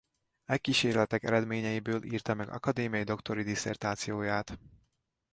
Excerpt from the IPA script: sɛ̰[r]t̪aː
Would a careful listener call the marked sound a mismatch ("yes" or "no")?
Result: no